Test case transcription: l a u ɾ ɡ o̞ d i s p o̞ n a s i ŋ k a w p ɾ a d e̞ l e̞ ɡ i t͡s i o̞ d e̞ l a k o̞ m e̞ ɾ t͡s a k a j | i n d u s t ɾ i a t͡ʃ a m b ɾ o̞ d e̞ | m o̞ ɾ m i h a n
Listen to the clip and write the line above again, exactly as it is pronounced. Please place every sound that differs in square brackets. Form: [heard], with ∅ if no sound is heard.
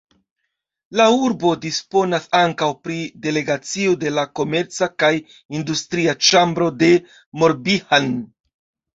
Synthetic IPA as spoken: l a u ɾ [b] o̞ d i s p o̞ n a s [a] ŋ k a w p ɾ [i] d e̞ l e̞ ɡ [a] t͡s i o̞ d e̞ l a k o̞ m e̞ ɾ t͡s a k a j | i n d u s t ɾ i a t͡ʃ a m b ɾ o̞ d e̞ | m o̞ ɾ [b] i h a n